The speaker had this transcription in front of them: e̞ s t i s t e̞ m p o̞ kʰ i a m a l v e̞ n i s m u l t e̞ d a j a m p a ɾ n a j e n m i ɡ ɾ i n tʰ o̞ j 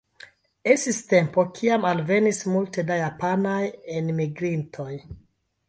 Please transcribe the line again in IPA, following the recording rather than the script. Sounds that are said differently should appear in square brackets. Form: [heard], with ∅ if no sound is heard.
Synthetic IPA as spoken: e̞ s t i s t e̞ m p o̞ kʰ i a m a l v e̞ n i s m u l t e̞ d a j a [∅] p a [∅] n a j e n m i ɡ ɾ i n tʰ o̞ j

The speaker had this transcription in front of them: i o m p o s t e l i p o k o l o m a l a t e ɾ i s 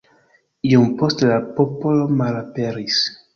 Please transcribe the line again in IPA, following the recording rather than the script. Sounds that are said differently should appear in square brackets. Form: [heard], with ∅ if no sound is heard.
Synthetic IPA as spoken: i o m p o s t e l [a] p o [p] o l o m a l a [p] e ɾ i s

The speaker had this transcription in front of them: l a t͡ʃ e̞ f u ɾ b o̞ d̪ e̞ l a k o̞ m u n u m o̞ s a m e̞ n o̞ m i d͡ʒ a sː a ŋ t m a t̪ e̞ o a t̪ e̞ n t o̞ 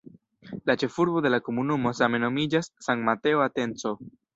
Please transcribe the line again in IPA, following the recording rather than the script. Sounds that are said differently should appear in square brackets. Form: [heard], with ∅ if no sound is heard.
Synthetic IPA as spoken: l a t͡ʃ e̞ f u ɾ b o̞ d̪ e̞ l a k o̞ m u n u m o̞ s a m e̞ n o̞ m i d͡ʒ a sː a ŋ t m a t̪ e̞ o a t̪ e̞ n [t͡s] o̞

